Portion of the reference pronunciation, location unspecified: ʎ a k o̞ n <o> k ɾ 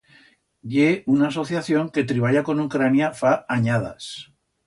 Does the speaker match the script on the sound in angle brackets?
no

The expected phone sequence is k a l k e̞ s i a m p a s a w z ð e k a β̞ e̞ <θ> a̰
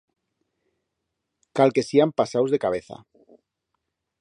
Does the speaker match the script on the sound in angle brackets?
yes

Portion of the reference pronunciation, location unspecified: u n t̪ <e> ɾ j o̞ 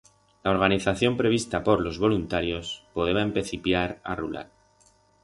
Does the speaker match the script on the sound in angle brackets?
no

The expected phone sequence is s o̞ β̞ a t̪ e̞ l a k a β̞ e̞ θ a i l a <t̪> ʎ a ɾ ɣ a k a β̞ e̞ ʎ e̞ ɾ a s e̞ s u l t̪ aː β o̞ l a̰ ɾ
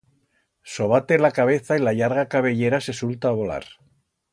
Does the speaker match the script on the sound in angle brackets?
no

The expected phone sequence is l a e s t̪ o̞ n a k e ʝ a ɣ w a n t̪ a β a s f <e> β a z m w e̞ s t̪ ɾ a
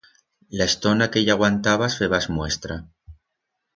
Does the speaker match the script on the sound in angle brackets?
yes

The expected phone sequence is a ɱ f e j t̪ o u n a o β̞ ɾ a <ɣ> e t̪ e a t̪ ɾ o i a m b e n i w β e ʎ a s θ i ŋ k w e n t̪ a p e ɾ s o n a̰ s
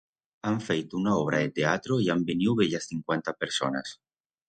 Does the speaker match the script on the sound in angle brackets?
no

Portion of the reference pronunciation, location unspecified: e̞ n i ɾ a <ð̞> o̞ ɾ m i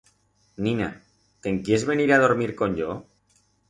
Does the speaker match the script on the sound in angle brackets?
yes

